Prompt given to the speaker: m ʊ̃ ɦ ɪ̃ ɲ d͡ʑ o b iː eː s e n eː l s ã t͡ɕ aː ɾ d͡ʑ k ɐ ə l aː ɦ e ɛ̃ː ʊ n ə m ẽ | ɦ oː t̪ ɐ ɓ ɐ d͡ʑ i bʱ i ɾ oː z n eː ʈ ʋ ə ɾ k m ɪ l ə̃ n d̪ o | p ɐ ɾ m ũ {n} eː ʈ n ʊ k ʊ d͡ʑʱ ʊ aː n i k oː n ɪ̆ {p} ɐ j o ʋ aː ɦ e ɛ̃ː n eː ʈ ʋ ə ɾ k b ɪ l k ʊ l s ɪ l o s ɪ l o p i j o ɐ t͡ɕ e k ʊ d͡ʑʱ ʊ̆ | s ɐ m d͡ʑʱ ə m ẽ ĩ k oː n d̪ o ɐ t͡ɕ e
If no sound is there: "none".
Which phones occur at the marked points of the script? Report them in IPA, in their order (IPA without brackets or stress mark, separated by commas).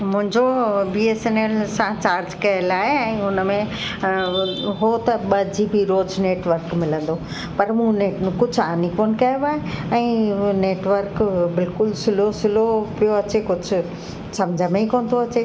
n, k